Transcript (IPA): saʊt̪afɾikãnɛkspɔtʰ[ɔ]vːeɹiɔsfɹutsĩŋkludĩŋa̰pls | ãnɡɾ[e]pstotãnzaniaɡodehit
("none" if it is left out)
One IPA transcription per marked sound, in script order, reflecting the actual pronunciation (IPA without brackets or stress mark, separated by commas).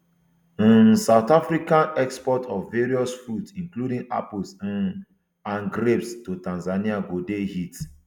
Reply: ɔ, e